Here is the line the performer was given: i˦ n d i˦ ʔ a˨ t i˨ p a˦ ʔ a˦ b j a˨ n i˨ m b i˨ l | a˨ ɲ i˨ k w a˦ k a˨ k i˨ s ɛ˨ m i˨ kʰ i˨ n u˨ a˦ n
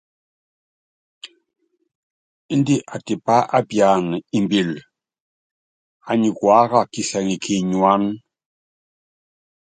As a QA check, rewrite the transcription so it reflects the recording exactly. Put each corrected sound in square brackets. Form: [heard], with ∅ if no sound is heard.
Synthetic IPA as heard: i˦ n d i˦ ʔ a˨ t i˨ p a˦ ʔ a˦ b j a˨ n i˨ m b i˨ l | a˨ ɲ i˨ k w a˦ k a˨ k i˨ s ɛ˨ [ŋ] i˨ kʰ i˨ [ɲ] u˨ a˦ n